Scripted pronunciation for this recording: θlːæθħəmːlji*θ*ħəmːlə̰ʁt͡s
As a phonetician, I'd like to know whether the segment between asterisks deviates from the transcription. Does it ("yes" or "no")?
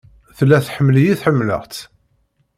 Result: no